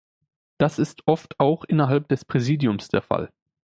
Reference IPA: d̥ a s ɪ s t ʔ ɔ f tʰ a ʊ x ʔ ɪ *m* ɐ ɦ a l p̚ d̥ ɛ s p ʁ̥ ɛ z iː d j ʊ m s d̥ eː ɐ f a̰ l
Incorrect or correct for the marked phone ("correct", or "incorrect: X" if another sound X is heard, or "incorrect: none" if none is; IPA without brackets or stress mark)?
incorrect: n